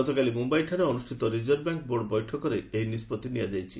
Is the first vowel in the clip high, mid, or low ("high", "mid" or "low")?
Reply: mid